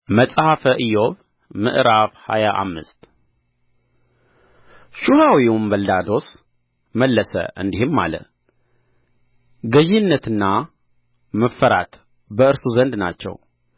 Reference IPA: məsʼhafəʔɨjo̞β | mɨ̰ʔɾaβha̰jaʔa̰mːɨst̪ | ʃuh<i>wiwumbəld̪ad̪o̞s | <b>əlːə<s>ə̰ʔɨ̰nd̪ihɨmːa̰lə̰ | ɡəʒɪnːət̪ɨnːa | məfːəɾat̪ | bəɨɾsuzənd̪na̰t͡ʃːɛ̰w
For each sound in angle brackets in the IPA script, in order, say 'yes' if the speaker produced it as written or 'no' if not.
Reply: no, no, yes

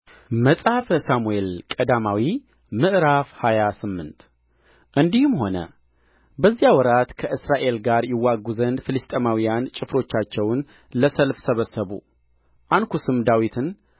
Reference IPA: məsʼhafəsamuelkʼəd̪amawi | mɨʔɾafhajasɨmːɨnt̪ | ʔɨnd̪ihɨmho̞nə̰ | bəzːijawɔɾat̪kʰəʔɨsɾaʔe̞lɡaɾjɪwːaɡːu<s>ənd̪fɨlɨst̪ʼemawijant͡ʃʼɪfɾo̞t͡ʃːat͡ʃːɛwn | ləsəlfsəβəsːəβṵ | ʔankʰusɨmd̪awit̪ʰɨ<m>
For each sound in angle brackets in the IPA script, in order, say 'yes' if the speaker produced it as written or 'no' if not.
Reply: no, no

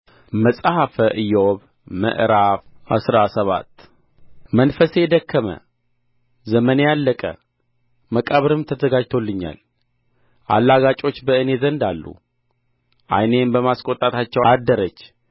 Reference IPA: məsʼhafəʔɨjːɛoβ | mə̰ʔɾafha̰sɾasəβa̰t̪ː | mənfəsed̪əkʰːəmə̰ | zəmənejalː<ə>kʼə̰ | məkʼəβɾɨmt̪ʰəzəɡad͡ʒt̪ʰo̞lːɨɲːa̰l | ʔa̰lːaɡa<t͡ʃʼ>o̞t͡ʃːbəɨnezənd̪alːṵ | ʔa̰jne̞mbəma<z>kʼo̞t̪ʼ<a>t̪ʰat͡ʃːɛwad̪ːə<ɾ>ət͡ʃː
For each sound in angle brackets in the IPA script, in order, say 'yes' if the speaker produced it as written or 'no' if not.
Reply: yes, yes, no, yes, yes

